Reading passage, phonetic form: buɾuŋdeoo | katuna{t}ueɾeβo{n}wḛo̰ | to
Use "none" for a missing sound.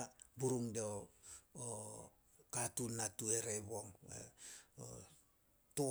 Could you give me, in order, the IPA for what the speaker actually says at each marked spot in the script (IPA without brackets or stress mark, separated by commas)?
t, ŋ